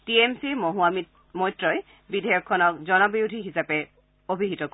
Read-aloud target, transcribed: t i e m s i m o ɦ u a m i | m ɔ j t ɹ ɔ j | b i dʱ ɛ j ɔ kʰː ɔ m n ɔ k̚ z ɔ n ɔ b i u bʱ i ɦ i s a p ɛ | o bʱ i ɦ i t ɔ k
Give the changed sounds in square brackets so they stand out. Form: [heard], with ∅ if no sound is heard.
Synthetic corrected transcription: t i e m s i m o ɦ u a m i | m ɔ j t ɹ ɔ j | b i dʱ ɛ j ɔ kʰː ɔ [∅] n ɔ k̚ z ɔ n ɔ b i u [dʱ] i ɦ i s a p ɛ | o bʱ i ɦ i t ɔ k

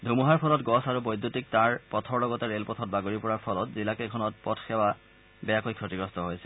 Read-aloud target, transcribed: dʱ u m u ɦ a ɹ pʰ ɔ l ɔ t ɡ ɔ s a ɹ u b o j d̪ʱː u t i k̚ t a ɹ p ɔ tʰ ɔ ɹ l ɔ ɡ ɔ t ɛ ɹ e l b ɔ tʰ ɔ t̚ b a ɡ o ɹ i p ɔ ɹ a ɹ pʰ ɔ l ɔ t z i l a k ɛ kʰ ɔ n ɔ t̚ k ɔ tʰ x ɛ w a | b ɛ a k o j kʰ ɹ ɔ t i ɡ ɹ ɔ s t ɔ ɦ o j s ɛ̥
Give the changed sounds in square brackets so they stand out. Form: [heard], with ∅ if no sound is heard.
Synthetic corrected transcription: dʱ u m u ɦ a ɹ pʰ ɔ l ɔ t ɡ ɔ s a ɹ u b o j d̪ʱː u t i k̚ t a ɹ p ɔ tʰ ɔ ɹ l ɔ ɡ ɔ t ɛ ɹ e l [p] ɔ tʰ ɔ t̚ b a ɡ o ɹ i p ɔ ɹ a ɹ pʰ ɔ l ɔ t z i l a k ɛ kʰ ɔ n ɔ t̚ [p] ɔ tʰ x ɛ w a | b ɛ a k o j kʰ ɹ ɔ t i ɡ ɹ ɔ s t ɔ ɦ o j s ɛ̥

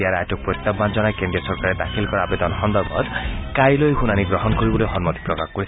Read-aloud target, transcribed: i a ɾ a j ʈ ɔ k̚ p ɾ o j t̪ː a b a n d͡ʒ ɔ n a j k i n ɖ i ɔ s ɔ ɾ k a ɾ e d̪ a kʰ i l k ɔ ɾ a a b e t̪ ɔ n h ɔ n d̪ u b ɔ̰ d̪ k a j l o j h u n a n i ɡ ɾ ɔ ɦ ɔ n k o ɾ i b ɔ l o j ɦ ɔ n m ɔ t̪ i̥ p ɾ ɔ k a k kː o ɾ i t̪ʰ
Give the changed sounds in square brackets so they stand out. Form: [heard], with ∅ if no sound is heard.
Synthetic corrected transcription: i a ɾ a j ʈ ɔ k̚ p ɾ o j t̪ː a b a n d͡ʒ ɔ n a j k [e] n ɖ i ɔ s ɔ ɾ k a ɾ e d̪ a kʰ i l k ɔ ɾ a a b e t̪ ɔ n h ɔ n d̪ [ɔ] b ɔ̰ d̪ k a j l o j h u n a n i ɡ ɾ ɔ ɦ ɔ n k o ɾ i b ɔ l o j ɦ ɔ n m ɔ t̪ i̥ p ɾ ɔ k a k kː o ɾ i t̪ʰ

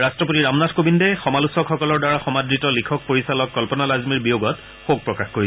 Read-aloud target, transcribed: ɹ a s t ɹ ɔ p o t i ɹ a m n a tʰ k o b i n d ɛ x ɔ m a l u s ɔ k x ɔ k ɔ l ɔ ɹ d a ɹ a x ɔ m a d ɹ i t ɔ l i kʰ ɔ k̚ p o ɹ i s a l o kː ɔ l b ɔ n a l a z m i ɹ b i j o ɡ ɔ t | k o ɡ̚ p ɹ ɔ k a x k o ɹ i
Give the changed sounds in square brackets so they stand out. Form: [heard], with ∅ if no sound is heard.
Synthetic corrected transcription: ɹ a s t ɹ ɔ p o t i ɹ a m n a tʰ k o b i n d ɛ x ɔ m a l u s ɔ k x ɔ k ɔ l ɔ ɹ d a ɹ a x ɔ m a d ɹ i t ɔ l i kʰ ɔ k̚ p o ɹ i s a l [ɔ] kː ɔ l [p] ɔ n a l a z m i ɹ b i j o ɡ ɔ t | [x] o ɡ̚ p ɹ ɔ k a x k o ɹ i

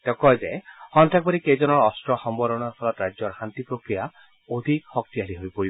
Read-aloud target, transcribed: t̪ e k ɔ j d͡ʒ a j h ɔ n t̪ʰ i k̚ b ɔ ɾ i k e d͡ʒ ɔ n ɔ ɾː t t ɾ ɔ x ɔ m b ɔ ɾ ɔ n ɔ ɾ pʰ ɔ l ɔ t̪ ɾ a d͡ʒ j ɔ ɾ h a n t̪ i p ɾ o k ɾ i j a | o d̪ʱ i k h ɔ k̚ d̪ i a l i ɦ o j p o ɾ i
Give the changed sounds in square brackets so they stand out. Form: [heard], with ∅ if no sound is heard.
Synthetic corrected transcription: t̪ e k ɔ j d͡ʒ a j h ɔ n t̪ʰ [a] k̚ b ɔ ɾ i k e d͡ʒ ɔ n ɔ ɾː [s] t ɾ ɔ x ɔ m b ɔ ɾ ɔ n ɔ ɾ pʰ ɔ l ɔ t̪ ɾ a d͡ʒ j ɔ ɾ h a n t̪ i p ɾ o k ɾ i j a | o d̪ʱ i k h ɔ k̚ [t̪] i a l i ɦ o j p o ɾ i

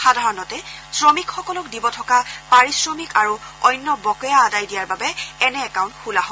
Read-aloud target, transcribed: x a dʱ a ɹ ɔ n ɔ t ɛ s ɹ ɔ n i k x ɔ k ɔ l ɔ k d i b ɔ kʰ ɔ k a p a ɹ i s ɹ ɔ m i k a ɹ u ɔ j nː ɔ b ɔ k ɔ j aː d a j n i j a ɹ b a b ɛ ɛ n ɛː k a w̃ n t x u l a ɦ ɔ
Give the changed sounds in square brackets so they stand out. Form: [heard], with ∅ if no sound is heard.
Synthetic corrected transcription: x a dʱ a ɹ ɔ n ɔ t ɛ s ɹ ɔ [m] i k x ɔ k ɔ l ɔ k d i b ɔ [tʰ] ɔ k a p a ɹ i s ɹ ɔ m i k a ɹ u ɔ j nː ɔ b ɔ k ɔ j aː d a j [d] i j a ɹ b a b ɛ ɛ n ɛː k a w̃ n t x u l a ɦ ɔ

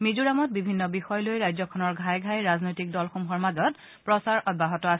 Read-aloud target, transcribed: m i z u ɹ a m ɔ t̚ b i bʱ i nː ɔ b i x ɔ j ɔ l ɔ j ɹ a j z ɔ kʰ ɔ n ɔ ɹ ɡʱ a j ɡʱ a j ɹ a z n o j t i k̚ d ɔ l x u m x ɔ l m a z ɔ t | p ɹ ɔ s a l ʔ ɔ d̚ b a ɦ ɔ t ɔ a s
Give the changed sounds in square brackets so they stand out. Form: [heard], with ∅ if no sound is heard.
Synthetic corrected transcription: m i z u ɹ a m ɔ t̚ b i bʱ i nː ɔ b i x ɔ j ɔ l [o] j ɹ a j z ɔ kʰ ɔ n ɔ ɹ ɡʱ a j ɡʱ a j ɹ a z n o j t i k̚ d ɔ l x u m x ɔ [ɹ] m a z ɔ t | p ɹ ɔ s a [ɹ] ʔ ɔ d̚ b a ɦ ɔ t ɔ a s

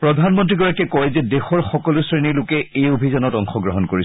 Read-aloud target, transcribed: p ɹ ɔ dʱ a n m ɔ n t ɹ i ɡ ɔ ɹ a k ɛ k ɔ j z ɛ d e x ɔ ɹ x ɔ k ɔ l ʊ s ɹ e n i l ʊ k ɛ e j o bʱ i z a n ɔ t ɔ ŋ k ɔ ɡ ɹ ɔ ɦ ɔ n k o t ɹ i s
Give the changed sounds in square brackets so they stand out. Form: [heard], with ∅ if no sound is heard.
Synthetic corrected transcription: p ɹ ɔ dʱ a n m ɔ n t ɹ i ɡ ɔ ɹ a k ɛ k ɔ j z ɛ d e x ɔ ɹ x ɔ k ɔ l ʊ s ɹ e n i l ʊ k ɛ e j o bʱ i z a n ɔ t ɔ ŋ [x] ɔ ɡ ɹ ɔ ɦ ɔ n k o [∅] ɹ i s

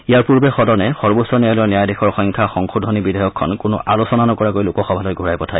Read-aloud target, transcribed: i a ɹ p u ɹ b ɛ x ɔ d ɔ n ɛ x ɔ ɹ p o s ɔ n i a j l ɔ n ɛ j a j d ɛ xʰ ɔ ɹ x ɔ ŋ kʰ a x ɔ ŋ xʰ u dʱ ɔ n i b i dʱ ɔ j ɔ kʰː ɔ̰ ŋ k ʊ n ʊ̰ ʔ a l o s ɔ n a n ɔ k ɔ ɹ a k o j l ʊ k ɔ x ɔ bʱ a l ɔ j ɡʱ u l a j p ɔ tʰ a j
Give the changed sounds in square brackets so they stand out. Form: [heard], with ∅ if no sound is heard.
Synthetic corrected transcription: i a ɹ p u ɹ b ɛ x ɔ d ɔ n ɛ x ɔ ɹ [b] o s ɔ n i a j l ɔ n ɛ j a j d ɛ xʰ ɔ ɹ x ɔ ŋ kʰ a x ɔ ŋ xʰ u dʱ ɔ n i b i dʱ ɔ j ɔ kʰː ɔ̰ [n] k ʊ n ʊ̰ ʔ a l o s ɔ n a n ɔ k ɔ ɹ a k o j l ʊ k ɔ x ɔ bʱ a l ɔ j ɡʱ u [ɹ] a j p ɔ tʰ a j

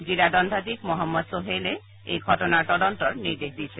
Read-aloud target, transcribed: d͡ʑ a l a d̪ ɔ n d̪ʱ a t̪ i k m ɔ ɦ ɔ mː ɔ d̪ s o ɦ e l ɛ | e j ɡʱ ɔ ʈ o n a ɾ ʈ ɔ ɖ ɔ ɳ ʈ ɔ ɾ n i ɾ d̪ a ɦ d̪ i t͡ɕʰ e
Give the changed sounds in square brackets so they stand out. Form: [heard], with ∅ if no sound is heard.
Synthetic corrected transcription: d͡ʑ [i] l a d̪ ɔ n d̪ʱ a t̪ i k m ɔ ɦ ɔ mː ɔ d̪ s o ɦ e l [e] | e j ɡʱ ɔ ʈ o n a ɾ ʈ ɔ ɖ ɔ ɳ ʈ ɔ ɾ n i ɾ d̪ [e] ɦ d̪ i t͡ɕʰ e

